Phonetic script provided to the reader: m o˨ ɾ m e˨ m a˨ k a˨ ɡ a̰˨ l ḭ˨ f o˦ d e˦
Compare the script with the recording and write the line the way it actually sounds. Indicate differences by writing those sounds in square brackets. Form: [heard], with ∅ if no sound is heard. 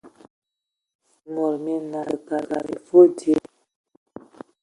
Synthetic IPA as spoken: m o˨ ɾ m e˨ [n] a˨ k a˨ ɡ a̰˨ [ɾ] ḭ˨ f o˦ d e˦